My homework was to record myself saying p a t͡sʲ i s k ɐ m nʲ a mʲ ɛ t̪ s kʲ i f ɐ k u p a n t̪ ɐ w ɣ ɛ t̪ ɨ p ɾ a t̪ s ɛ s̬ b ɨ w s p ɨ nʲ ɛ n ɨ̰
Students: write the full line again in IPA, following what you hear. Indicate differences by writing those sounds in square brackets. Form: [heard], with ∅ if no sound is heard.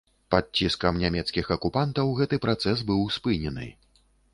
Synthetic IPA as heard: p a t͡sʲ i s k ɐ m nʲ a mʲ ɛ t̪ s kʲ i [x] ɐ k u p a n t̪ ɐ w ɣ ɛ t̪ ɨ p ɾ a t̪ s ɛ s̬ b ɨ w s p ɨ nʲ ɛ n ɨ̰